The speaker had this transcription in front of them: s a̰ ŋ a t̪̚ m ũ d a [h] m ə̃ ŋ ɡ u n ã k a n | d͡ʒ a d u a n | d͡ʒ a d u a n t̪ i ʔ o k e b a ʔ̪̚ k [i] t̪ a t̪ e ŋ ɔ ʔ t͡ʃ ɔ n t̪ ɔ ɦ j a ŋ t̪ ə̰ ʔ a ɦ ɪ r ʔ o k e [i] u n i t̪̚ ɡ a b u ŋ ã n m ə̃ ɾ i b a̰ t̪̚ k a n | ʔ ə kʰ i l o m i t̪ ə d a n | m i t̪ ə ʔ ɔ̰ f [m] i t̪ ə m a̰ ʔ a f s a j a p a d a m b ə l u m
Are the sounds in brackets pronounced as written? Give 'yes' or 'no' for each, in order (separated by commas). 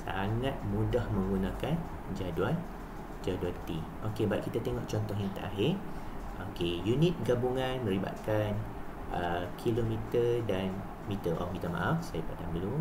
yes, yes, no, yes